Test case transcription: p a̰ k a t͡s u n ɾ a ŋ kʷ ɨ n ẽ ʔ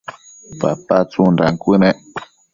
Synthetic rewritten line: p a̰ p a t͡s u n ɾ a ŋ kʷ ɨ n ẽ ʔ